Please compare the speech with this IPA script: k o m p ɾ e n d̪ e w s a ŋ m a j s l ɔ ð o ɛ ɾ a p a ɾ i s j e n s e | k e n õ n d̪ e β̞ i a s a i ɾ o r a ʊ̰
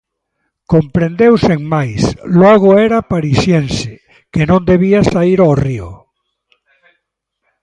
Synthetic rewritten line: k o m p ɾ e n d̪ e w s e ŋ m a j s l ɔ ɣ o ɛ ɾ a p a ɾ i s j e n s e | k e n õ n d̪ e β̞ i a s a i ɾ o r i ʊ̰